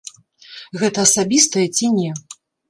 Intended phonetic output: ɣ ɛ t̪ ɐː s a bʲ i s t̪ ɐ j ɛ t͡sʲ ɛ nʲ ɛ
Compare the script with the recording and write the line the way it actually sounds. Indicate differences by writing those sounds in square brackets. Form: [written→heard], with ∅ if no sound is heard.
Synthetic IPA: ɣ ɛ t̪ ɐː s a bʲ i s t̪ ɐ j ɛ t͡sʲ [ɛ→i] nʲ ɛ